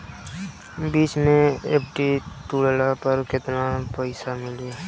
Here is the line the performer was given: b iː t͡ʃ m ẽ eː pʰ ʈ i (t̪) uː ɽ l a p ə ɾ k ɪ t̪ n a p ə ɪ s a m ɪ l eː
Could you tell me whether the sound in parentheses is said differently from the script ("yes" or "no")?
no